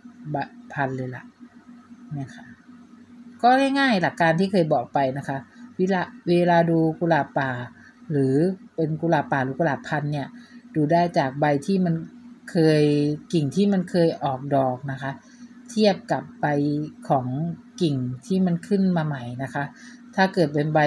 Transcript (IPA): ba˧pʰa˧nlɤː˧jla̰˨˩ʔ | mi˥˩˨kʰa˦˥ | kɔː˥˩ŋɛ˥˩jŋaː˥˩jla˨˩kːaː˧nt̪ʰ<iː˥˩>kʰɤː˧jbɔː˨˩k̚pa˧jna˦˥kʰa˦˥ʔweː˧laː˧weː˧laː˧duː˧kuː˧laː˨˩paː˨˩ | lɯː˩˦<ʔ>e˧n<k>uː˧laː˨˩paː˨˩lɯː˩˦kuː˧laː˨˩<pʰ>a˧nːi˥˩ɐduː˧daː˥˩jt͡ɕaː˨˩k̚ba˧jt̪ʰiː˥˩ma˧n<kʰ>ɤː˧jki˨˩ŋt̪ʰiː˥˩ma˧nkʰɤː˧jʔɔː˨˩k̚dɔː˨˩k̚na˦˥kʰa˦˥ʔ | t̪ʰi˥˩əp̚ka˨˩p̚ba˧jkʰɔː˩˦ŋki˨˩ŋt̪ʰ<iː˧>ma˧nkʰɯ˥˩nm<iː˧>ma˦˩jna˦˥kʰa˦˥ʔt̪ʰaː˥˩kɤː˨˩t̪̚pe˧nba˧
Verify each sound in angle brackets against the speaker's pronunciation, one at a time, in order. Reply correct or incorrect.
correct, incorrect: p, correct, correct, correct, incorrect: iː˥˩, incorrect: aː˧

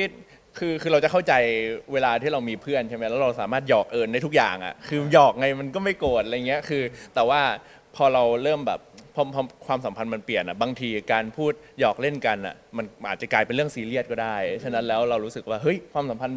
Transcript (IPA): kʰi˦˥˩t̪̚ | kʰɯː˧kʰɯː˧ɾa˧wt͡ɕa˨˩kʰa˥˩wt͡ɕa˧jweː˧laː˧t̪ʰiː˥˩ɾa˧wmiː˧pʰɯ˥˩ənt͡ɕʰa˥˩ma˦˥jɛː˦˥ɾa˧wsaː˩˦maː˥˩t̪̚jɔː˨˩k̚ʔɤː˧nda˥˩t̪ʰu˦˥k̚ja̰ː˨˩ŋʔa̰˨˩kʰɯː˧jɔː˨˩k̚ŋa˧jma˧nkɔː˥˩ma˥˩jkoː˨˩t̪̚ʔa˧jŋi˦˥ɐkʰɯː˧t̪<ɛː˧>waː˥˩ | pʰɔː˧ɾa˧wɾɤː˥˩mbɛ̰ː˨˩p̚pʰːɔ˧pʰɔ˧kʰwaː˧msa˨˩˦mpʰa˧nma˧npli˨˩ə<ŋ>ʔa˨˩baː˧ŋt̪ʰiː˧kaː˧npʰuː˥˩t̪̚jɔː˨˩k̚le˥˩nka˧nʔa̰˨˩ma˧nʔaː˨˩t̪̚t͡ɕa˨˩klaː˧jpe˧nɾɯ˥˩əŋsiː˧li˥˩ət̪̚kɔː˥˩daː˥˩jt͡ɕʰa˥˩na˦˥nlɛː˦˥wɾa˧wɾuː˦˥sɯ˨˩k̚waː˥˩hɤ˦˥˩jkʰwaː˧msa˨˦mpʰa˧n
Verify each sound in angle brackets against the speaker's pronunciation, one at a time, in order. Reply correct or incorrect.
incorrect: ɛː˨˩, incorrect: n

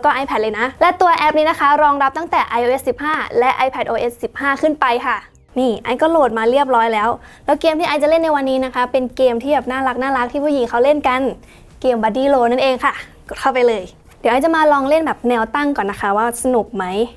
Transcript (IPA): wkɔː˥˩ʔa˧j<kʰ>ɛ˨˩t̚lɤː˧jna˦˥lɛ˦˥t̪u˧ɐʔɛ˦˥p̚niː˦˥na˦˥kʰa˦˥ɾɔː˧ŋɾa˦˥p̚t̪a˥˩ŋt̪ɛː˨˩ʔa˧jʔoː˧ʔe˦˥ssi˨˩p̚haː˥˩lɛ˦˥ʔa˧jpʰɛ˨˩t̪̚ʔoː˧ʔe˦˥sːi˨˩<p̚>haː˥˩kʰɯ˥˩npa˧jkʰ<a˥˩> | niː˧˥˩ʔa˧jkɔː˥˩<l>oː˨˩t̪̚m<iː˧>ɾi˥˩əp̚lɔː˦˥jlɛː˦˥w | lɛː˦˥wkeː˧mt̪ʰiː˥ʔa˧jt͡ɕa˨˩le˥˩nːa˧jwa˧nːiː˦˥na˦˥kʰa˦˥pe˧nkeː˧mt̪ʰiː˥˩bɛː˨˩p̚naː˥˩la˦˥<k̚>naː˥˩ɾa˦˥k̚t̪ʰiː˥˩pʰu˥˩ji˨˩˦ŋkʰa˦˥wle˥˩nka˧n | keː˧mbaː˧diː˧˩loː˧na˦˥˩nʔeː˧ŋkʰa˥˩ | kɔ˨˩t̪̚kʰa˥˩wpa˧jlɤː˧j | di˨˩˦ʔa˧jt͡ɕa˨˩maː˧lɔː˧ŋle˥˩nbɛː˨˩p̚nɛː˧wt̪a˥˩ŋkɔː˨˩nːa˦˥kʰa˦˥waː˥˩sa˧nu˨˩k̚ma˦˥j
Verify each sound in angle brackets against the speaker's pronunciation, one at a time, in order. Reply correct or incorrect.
incorrect: pʰ, correct, correct, correct, incorrect: aː˧, correct

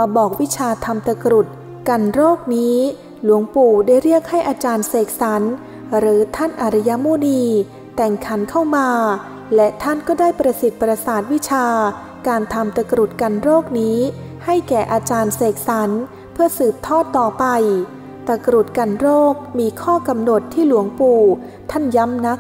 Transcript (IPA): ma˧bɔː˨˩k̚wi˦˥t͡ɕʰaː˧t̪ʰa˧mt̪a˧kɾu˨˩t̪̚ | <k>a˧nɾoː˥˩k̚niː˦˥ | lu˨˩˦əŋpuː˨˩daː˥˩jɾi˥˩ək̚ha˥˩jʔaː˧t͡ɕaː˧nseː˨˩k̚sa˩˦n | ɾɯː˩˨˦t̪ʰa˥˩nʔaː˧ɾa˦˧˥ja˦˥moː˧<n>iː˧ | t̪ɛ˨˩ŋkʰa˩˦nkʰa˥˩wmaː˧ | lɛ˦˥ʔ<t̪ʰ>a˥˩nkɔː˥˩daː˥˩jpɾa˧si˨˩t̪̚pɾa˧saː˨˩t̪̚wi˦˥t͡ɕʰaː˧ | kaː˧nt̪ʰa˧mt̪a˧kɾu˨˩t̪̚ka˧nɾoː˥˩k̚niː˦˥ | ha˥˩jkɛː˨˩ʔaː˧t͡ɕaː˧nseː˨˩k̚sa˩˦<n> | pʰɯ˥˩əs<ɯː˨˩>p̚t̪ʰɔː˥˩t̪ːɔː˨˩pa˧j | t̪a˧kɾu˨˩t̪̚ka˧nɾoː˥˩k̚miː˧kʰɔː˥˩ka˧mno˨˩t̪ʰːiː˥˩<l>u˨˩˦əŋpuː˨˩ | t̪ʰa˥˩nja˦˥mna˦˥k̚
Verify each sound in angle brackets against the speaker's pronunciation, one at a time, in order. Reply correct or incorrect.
correct, correct, correct, correct, correct, correct

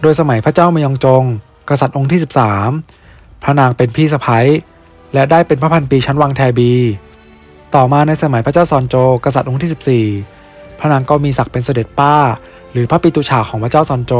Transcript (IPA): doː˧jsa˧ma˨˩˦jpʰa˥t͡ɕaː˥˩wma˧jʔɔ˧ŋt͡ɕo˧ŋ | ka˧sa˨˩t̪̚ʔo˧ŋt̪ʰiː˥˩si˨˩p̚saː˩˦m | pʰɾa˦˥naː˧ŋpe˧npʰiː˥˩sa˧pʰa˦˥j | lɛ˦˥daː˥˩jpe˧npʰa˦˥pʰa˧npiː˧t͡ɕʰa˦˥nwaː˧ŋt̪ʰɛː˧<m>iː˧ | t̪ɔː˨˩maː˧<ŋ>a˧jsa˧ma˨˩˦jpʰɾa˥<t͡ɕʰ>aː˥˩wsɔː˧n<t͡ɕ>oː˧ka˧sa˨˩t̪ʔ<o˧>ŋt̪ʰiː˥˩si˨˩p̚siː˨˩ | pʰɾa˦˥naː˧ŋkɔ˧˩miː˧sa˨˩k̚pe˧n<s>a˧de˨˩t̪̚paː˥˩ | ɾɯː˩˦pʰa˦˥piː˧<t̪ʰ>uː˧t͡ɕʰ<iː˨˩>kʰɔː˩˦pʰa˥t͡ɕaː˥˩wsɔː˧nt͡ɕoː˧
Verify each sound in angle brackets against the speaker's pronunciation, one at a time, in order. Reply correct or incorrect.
incorrect: b, incorrect: n, incorrect: t͡ɕ, correct, correct, correct, incorrect: t̪, incorrect: aː˨˩

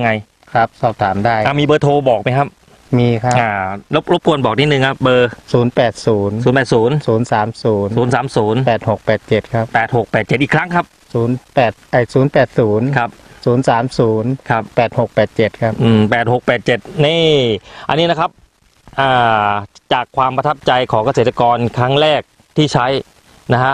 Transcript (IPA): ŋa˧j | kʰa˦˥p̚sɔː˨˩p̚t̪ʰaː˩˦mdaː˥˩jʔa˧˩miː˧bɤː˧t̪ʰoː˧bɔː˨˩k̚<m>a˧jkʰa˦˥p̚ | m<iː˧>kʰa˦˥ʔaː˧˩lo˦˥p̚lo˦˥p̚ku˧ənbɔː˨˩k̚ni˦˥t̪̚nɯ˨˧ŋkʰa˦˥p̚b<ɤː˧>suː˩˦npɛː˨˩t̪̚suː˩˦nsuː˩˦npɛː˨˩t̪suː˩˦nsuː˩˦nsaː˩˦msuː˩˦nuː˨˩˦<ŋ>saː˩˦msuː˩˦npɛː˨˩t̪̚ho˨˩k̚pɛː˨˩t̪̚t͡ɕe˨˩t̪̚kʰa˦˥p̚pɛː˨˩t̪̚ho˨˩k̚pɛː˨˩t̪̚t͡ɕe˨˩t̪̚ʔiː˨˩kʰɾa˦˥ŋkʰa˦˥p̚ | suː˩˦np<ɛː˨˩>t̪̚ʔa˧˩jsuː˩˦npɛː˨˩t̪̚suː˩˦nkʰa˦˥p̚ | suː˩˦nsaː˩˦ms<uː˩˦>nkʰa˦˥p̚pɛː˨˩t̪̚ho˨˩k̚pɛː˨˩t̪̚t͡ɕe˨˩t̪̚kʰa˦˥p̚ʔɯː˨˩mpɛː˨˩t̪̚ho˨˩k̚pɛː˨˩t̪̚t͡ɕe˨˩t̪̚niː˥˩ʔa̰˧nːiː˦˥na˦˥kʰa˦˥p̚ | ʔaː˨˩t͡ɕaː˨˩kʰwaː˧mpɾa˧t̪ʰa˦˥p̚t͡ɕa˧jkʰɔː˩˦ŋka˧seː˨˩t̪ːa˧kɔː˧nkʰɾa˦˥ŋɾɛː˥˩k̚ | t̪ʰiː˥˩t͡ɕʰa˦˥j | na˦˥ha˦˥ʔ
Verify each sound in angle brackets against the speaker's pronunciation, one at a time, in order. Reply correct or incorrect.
correct, correct, correct, incorrect: n, correct, correct

